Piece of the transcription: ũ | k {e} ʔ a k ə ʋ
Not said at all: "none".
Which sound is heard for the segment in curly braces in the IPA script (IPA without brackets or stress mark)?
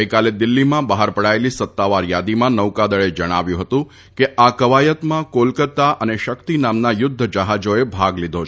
e